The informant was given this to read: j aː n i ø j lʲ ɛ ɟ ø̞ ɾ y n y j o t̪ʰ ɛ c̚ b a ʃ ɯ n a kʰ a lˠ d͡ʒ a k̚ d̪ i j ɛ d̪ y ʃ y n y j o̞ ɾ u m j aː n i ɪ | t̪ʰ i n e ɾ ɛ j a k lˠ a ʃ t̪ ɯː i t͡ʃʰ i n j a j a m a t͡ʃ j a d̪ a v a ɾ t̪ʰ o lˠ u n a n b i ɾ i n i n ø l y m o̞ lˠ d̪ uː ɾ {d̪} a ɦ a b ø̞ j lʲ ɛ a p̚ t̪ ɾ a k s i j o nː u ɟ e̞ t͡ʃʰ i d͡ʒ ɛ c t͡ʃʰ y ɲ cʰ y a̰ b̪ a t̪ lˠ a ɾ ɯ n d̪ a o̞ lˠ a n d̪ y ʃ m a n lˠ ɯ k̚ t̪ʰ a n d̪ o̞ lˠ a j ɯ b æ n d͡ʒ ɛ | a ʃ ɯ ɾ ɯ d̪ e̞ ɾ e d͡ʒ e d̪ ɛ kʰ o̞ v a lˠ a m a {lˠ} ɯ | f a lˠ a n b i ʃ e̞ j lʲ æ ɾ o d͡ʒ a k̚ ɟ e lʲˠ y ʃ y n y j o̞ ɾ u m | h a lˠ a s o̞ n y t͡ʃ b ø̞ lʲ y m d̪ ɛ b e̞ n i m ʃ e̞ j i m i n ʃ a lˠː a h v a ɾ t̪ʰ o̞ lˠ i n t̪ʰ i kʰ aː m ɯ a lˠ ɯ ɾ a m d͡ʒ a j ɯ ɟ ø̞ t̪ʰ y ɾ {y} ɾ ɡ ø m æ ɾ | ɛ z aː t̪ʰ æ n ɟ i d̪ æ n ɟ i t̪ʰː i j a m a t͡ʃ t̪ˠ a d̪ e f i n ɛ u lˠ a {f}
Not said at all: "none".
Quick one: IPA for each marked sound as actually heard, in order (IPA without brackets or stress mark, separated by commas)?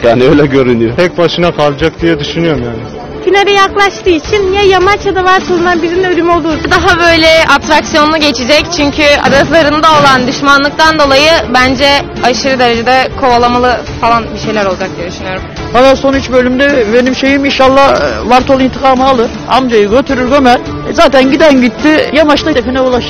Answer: d̪, lˠ, y, ʃ